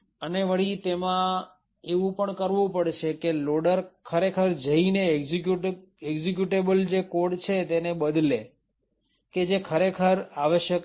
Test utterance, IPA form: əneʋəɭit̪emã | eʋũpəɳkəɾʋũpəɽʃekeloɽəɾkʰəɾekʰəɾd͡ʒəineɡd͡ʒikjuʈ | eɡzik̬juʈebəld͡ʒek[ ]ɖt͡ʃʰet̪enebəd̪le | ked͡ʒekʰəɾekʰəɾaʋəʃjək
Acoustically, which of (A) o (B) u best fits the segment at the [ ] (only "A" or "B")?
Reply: A